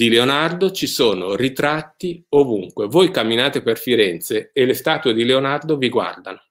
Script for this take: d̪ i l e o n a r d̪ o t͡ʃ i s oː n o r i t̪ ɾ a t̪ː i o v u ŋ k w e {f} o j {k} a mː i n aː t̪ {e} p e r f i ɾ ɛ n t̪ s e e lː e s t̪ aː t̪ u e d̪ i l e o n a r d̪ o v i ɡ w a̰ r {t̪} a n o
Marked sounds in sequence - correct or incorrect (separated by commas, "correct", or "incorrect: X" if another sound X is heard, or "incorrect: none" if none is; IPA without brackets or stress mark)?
incorrect: v, correct, correct, incorrect: d̪